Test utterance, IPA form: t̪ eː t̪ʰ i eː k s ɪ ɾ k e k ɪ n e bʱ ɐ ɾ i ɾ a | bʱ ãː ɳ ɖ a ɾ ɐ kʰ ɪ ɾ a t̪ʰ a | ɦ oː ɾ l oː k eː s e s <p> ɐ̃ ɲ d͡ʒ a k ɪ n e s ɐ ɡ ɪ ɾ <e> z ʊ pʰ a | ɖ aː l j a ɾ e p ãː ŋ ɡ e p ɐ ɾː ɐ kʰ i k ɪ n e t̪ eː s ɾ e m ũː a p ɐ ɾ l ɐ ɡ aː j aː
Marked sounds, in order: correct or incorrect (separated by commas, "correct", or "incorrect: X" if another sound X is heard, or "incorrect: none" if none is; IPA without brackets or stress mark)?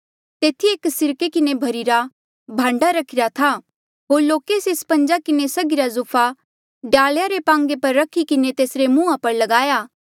correct, incorrect: a